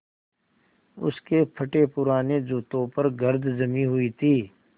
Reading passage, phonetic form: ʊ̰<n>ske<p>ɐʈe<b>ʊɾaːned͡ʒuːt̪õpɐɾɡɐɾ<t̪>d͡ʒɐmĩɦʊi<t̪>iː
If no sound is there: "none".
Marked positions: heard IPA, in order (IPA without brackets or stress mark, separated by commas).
none, pʰ, p, d̪, t̪ʰ